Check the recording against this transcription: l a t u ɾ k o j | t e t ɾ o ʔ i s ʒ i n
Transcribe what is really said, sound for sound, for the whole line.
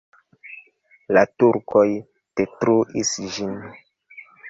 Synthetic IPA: l a t u ɾ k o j | t e t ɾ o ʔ i s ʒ i n